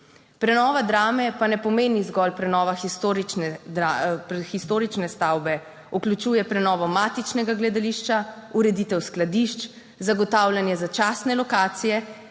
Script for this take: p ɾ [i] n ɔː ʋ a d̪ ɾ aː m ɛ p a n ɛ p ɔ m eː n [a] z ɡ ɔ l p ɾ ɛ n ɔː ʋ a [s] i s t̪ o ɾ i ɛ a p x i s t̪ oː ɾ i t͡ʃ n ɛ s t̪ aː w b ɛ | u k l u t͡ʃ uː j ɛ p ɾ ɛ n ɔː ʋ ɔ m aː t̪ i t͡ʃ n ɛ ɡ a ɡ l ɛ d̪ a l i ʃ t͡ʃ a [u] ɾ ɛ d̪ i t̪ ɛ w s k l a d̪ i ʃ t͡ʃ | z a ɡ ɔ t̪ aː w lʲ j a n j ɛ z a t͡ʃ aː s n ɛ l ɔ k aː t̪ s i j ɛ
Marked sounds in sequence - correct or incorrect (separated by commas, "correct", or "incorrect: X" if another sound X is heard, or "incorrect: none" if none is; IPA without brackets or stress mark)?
incorrect: ɛ, incorrect: i, incorrect: x, correct